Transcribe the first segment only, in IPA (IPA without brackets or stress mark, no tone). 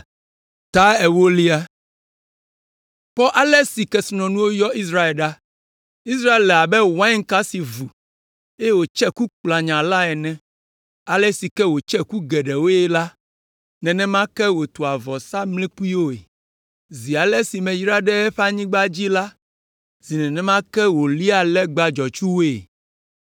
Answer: t̪